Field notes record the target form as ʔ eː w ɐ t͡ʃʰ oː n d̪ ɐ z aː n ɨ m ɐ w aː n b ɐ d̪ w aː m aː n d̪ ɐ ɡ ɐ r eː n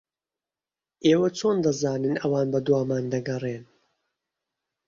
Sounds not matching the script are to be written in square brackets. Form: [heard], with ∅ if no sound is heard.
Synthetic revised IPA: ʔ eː w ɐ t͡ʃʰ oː n d̪ ɐ z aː n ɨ [n] ɐ w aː n b ɐ d̪ w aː m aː n d̪ ɐ ɡ ɐ r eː n